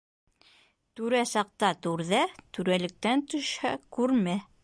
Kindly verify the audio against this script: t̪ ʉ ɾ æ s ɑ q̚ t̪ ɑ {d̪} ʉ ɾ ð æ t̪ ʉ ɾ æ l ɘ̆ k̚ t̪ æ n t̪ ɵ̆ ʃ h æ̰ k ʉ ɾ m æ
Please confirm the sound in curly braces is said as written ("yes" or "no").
no